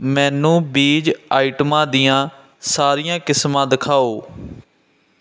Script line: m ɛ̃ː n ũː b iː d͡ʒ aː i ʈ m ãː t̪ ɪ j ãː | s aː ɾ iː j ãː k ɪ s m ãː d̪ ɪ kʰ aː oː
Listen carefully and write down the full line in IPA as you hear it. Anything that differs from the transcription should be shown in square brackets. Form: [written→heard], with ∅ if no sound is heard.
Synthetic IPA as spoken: m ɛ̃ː n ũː b iː d͡ʒ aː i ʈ m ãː [t̪→d̪] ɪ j ãː | s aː ɾ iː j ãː k ɪ s m ãː d̪ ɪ kʰ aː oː